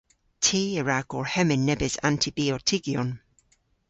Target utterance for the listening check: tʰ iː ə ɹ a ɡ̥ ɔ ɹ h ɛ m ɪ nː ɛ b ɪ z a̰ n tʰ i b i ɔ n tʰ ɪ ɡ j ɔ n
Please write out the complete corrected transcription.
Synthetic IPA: tʰ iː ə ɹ a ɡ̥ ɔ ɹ h ɛ m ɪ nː ɛ b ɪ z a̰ n tʰ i b i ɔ tʰ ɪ ɡ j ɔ n